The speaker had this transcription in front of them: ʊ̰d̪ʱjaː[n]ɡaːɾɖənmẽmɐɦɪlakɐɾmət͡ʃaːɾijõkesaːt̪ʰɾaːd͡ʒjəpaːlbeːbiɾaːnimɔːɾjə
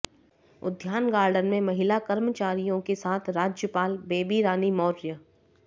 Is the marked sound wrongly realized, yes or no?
no